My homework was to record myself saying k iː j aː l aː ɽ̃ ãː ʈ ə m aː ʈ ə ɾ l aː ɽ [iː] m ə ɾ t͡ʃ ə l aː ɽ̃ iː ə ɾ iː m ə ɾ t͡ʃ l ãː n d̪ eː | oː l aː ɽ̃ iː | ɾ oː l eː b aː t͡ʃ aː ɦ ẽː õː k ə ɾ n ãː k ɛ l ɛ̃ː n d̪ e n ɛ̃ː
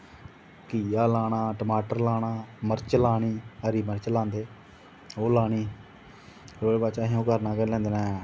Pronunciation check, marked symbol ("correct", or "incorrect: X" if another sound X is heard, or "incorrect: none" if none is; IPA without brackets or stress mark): incorrect: aː